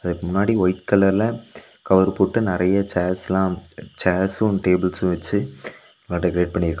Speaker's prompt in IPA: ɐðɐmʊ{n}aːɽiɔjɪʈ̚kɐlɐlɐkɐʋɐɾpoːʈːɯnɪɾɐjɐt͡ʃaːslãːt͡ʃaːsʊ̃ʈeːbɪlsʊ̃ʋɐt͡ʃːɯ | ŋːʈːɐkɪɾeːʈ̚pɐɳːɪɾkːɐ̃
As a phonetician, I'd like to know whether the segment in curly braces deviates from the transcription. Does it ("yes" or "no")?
yes